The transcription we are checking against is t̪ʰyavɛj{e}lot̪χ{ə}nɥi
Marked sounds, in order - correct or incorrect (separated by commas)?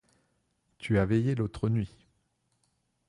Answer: correct, correct